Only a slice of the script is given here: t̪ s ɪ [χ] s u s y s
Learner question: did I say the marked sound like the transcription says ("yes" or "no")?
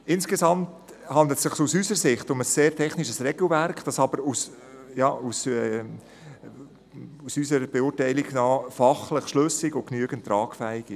yes